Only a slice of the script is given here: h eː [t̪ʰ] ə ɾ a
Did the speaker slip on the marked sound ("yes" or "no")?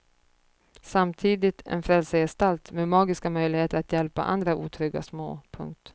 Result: yes